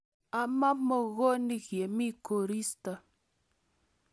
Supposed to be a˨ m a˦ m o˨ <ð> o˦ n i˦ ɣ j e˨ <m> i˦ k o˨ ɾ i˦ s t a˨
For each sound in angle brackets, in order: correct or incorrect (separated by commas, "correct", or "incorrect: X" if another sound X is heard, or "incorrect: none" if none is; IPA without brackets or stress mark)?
incorrect: ɣ, correct